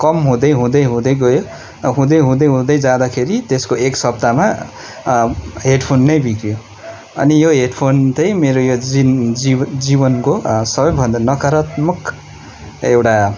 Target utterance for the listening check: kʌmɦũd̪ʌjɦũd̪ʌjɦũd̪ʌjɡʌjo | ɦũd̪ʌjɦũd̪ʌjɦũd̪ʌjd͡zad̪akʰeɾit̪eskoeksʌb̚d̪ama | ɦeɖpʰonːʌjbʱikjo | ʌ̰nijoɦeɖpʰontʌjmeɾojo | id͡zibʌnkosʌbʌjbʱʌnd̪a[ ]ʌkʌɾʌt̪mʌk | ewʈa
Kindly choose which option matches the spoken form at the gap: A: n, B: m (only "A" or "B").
A